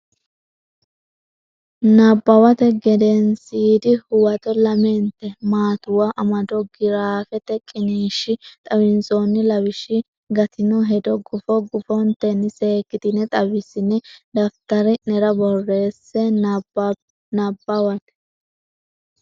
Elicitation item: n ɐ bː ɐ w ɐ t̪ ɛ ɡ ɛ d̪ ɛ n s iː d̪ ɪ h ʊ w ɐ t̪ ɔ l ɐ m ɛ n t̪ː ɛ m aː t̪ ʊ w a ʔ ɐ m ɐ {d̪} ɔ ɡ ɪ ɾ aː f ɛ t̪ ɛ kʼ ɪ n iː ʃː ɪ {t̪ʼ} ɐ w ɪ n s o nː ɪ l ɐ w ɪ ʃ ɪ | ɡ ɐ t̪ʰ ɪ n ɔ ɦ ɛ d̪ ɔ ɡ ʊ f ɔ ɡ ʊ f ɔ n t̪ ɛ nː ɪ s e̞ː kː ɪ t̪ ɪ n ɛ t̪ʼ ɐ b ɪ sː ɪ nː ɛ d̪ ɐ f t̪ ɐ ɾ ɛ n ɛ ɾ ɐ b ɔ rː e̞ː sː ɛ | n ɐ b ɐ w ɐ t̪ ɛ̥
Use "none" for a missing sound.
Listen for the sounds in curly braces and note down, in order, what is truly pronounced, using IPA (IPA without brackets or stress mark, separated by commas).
d̪, t̪ʼ